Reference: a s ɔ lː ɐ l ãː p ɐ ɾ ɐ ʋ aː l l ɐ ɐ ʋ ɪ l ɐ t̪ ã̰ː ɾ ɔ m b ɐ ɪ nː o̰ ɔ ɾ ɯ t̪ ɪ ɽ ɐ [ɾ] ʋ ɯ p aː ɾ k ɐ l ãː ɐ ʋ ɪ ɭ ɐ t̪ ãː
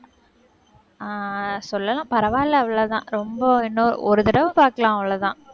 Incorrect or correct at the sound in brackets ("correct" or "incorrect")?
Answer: incorrect